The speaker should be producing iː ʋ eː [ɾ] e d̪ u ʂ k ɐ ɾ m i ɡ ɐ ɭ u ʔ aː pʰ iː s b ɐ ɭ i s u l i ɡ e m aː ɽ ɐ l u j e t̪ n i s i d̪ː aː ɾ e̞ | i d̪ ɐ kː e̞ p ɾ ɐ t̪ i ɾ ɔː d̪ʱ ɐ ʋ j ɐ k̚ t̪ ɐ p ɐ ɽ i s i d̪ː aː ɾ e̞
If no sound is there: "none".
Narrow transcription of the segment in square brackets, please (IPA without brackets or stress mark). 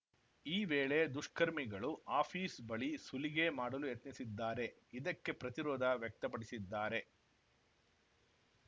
ɭ